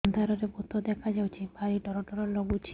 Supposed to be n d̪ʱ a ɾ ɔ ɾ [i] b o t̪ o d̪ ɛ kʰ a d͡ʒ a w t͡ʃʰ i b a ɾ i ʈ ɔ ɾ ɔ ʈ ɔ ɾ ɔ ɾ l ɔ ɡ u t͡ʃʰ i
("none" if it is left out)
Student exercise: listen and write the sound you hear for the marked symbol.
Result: e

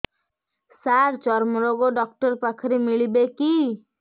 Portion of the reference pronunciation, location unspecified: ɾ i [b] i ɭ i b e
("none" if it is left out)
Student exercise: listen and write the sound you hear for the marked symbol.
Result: m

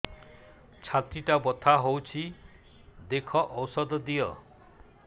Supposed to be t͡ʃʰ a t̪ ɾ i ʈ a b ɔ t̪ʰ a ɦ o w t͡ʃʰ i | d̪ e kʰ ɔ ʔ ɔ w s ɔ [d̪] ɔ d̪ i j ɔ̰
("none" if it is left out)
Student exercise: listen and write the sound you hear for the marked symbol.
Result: d̪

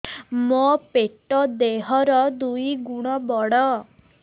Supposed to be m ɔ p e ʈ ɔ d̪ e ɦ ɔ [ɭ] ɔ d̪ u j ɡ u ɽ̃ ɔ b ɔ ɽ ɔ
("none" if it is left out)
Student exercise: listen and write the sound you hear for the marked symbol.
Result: ɾ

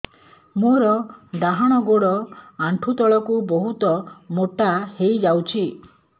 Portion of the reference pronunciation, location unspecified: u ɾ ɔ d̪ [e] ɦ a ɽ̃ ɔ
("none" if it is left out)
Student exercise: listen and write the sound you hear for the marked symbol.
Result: a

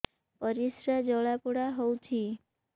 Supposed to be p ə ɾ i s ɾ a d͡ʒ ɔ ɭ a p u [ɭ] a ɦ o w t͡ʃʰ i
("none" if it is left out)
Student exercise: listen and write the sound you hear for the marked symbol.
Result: ɽ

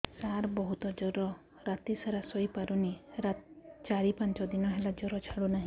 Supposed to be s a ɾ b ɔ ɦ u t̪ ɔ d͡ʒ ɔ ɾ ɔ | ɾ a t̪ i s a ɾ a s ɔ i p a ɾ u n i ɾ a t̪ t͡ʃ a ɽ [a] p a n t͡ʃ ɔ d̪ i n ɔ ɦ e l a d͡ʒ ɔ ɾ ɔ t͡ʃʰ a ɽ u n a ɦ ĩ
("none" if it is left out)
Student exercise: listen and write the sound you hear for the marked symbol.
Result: i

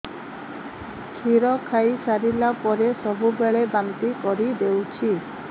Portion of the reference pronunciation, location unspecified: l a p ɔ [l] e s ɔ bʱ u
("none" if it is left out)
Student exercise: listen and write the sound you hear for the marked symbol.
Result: ɾ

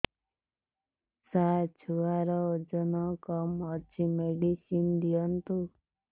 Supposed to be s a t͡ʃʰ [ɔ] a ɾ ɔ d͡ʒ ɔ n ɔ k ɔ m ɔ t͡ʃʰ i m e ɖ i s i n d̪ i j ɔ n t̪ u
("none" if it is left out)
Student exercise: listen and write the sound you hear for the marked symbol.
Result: u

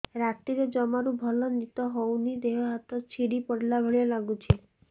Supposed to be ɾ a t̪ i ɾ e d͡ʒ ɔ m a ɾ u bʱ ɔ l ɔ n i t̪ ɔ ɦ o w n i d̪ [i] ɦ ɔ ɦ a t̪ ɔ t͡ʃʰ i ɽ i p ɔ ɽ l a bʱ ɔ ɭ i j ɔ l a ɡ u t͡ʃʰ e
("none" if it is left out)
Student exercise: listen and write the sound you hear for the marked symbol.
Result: e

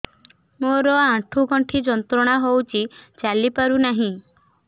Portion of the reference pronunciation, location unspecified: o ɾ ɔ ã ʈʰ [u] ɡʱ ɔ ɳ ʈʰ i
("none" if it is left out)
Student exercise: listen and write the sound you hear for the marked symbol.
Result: u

